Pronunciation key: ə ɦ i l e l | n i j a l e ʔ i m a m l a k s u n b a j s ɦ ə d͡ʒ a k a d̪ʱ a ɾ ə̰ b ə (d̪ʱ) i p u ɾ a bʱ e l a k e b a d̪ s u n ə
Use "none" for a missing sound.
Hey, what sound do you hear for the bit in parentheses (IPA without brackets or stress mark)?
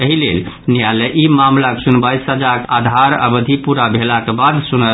d̪ʱ